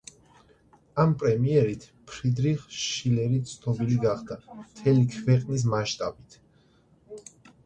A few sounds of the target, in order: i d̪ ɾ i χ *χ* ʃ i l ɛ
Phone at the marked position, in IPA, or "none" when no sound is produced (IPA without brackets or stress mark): ʃ